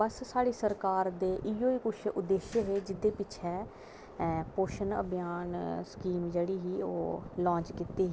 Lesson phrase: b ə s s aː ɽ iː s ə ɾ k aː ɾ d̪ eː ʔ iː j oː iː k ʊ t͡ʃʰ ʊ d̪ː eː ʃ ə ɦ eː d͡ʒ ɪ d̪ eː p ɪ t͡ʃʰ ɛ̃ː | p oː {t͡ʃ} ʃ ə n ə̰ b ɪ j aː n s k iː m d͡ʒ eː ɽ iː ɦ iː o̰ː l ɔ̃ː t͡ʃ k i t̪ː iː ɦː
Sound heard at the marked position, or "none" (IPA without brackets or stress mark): none